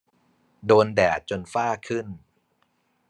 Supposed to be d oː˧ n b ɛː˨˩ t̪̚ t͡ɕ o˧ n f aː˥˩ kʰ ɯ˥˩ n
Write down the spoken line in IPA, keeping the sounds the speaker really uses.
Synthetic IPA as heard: d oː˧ n d ɛː˨˩ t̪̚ t͡ɕ o˧ n f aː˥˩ kʰ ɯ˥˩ n